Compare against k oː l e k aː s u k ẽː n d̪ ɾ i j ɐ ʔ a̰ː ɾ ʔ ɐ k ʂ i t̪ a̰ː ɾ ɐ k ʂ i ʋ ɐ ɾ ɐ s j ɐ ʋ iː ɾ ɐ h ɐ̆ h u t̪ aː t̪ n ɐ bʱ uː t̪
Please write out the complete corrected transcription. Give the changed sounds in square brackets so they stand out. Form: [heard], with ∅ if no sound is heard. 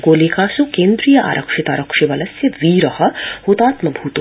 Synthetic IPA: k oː l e k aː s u k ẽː n d̪ ɾ i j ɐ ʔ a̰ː ɾ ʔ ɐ k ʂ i t̪ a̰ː ɾ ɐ k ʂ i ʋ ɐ [l] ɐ s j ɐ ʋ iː ɾ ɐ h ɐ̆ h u t̪ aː t̪ [m] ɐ bʱ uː t̪